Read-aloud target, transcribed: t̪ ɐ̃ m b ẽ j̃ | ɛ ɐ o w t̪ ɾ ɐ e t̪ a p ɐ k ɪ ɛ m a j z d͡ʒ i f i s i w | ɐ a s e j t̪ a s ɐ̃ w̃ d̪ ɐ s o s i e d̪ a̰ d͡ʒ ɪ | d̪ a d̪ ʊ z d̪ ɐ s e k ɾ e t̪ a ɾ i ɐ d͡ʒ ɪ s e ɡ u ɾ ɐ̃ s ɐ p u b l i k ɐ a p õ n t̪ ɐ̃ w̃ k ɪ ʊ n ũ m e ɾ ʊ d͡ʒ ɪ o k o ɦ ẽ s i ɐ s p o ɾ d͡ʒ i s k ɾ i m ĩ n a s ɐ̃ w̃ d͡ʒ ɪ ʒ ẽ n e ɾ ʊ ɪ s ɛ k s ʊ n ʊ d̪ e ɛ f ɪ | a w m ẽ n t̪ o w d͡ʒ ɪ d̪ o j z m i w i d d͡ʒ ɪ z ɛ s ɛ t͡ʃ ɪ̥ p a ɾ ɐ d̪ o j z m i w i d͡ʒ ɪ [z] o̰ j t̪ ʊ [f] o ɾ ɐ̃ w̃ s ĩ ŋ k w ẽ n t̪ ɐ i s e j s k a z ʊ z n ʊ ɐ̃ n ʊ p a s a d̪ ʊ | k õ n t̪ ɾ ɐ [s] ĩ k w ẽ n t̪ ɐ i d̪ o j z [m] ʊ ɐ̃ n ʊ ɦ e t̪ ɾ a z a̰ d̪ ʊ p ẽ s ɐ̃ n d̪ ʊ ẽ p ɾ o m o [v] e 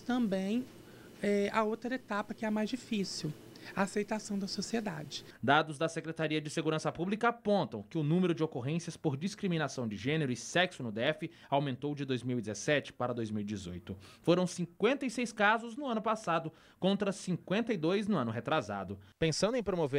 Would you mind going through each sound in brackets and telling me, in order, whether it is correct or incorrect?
correct, correct, correct, incorrect, correct

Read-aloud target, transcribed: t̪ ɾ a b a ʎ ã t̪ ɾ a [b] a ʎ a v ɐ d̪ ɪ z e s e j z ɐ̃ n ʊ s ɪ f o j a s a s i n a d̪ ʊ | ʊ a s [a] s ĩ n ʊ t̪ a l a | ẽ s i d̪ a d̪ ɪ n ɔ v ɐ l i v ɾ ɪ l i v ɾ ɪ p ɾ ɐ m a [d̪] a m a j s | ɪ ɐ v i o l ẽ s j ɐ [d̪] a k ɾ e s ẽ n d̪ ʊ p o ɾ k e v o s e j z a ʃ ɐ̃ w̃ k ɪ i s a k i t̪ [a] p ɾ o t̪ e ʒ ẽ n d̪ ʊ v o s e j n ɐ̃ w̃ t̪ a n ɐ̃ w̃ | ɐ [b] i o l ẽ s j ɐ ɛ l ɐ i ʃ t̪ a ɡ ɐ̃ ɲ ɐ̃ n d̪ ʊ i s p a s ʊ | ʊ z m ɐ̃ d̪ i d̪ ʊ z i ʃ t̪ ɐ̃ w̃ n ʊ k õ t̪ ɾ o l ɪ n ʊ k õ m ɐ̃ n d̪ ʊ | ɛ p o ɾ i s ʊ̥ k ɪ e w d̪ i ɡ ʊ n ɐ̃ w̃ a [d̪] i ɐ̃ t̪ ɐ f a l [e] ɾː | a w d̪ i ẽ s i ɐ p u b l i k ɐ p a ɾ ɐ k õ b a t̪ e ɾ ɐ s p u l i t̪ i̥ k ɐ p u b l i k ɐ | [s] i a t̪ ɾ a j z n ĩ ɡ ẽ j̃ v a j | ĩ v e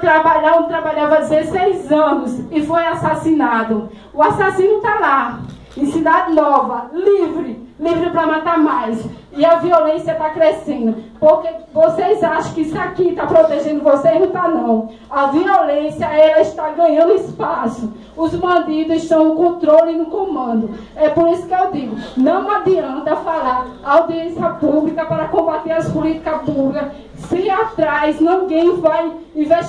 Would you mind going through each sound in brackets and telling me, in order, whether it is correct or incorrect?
correct, correct, incorrect, incorrect, correct, incorrect, correct, incorrect, correct

